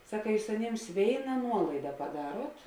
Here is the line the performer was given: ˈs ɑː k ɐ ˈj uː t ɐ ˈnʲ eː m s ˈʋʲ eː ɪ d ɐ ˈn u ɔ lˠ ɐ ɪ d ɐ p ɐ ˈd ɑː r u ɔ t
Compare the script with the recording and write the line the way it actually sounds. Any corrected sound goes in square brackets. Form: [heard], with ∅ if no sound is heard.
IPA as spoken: ˈs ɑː k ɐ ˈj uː [s] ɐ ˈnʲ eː m s ˈʋʲ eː ɪ [n] ɐ ˈn u ɔ lˠ ɐ ɪ d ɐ p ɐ ˈd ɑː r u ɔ t